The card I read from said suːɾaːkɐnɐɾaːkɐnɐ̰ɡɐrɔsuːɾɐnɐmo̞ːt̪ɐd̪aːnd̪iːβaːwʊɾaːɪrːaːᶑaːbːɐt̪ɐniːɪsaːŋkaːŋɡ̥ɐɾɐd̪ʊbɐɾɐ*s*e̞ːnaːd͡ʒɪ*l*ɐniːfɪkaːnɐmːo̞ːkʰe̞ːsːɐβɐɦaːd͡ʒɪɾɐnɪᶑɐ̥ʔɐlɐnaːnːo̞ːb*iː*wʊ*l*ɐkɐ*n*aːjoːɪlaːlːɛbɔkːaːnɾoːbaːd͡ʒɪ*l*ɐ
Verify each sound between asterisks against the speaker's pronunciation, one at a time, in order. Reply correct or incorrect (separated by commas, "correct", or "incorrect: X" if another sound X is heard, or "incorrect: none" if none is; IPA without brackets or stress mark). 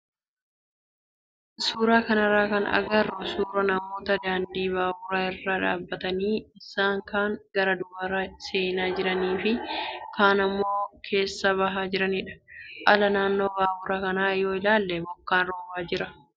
correct, incorrect: ɾ, incorrect: aː, incorrect: ɾ, correct, incorrect: ɾ